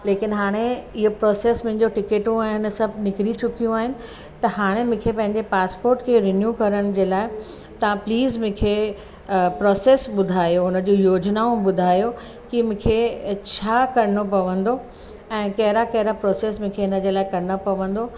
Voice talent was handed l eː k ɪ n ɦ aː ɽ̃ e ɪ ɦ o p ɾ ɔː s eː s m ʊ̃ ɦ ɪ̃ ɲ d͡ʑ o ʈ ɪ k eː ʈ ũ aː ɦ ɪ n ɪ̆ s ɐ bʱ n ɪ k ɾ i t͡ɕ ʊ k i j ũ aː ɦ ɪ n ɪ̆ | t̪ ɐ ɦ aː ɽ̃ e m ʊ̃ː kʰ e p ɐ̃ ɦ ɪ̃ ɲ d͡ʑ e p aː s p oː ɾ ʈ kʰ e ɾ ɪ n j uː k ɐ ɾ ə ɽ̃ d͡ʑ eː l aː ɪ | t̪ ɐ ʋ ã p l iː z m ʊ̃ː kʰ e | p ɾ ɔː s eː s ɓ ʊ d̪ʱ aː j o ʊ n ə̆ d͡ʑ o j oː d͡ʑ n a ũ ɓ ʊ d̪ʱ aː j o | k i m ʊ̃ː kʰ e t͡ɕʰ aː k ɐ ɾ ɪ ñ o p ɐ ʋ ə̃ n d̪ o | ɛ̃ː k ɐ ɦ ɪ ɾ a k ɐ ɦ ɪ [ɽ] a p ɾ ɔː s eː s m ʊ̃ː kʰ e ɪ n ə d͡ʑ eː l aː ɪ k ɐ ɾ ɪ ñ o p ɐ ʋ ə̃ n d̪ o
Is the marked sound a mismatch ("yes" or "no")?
yes